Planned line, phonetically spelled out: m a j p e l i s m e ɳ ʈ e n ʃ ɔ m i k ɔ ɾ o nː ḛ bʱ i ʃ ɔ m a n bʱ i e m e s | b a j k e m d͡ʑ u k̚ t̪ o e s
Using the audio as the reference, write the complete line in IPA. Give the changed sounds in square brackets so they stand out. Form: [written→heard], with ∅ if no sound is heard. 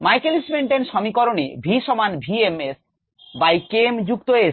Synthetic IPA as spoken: m a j [p→k] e l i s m e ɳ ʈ e n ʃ ɔ m i k ɔ ɾ o [nː→n] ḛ bʱ i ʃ ɔ m a n bʱ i e m e s | b a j k e m d͡ʑ u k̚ t̪ o e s